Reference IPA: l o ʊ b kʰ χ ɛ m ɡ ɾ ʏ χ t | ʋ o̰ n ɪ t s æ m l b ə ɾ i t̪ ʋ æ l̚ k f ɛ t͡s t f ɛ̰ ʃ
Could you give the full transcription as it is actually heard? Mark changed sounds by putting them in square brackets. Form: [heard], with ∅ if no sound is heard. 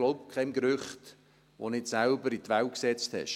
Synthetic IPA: l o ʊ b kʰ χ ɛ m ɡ ɾ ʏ χ t | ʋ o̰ n ɪ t s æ [∅] l b ə ɾ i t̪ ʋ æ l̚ k [s] ɛ t͡s t [h] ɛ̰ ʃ